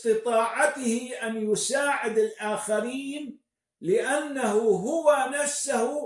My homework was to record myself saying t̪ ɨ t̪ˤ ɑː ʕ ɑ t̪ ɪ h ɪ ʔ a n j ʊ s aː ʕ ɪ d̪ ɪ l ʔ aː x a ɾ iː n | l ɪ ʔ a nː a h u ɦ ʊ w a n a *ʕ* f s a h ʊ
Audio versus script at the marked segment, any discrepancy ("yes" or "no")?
yes